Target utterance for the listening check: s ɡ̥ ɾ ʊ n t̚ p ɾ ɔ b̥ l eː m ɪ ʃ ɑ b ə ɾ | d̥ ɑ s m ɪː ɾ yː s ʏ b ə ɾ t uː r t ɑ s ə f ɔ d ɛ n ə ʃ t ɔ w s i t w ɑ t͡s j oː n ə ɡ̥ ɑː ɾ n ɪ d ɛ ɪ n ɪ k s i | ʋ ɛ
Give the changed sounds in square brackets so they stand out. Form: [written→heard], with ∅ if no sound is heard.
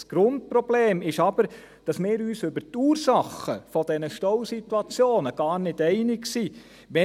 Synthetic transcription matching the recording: s ɡ̥ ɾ ʊ n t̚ p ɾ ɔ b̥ l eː m ɪ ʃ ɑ b ə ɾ | d̥ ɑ s m ɪː ɾ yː s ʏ b ə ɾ t uː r [t→s] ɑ [s→χ] ə f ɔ d ɛ n ə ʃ t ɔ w s i t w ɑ t͡s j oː n ə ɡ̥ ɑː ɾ n ɪ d ɛ ɪ n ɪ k s i | ʋ ɛ